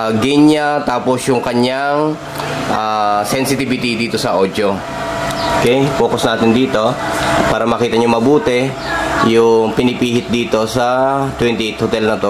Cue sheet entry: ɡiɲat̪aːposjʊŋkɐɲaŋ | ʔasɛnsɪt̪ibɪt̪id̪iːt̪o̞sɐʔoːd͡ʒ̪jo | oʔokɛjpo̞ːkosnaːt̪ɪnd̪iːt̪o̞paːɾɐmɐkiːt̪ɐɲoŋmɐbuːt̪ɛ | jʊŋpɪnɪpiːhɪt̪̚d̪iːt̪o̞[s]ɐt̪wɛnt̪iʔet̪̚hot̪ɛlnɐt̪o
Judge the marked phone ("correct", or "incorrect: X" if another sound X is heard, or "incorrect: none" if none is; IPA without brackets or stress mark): correct